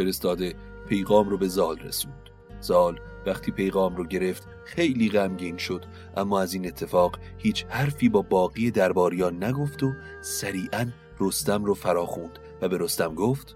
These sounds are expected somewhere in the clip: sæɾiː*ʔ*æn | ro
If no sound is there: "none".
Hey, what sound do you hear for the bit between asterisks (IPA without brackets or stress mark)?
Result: ʔ